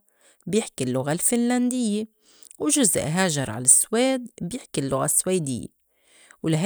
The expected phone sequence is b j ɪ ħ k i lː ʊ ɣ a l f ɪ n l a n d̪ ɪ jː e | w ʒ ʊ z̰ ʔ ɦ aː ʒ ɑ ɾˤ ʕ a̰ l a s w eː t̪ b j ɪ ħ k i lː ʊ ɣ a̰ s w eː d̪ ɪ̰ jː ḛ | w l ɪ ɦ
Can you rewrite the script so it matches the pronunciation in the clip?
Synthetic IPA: b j ɪ ħ k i lː ʊ ɣ a l f ɪ n l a n d̪ ɪ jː e | w ʒ ʊ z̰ ʔ ɦ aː ʒ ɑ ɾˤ ʕ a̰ l a s w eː d̪ b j ɪ ħ k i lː ʊ ɣ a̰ s w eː d̪ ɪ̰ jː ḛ | w l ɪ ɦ